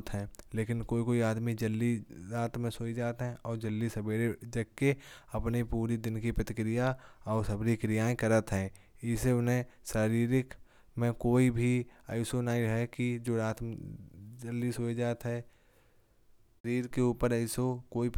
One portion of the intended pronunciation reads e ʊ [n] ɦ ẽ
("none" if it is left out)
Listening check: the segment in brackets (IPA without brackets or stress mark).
n